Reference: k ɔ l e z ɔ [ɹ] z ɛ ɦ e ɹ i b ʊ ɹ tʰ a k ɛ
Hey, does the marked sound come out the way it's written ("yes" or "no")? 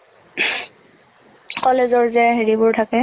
yes